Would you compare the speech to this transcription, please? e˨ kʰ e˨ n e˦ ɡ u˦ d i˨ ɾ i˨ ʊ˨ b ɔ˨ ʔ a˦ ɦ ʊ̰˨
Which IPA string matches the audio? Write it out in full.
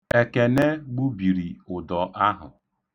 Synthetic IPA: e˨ k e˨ n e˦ ɡ͡b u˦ b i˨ ɾ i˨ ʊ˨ d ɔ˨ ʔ a˦ ɦ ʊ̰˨